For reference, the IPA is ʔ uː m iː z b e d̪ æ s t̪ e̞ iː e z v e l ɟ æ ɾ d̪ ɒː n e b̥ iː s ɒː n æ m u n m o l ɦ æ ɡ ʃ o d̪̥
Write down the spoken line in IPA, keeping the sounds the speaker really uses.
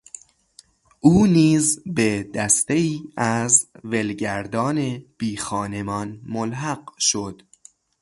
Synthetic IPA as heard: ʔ uː n iː z b e d̪ æ s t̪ e̞ iː æ z v e l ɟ æ ɾ d̪ ɒː n e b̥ iː x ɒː n e m ɒ n m o l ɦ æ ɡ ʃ o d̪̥